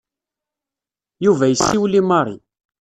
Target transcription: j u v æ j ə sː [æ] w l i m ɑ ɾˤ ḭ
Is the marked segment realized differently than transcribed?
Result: yes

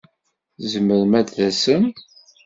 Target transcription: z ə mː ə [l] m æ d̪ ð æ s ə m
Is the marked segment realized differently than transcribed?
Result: yes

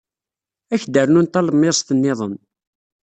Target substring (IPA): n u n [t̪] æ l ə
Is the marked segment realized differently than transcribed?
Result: no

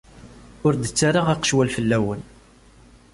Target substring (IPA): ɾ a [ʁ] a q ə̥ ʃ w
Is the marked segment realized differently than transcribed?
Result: no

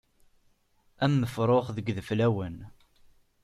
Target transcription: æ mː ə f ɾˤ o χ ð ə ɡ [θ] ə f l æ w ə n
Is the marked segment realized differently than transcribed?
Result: yes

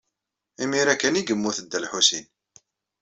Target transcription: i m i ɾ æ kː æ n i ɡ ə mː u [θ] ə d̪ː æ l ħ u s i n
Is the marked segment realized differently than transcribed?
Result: no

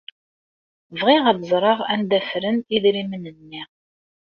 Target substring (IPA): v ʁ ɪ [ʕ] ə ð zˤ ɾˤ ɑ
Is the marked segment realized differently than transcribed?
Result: yes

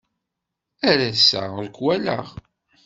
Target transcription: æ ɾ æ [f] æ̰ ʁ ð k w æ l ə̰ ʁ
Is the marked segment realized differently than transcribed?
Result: yes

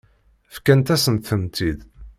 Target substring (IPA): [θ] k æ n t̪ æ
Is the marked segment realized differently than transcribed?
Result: yes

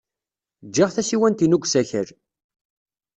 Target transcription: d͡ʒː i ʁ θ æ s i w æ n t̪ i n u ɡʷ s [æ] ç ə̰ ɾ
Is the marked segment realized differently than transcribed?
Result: no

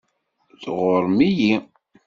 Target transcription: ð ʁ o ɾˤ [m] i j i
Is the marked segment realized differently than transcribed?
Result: no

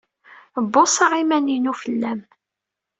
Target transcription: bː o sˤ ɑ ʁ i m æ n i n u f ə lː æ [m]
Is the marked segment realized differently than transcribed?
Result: no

